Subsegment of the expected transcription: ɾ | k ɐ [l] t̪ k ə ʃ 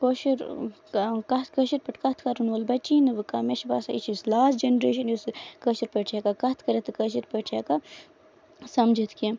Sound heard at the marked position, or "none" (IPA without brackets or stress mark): none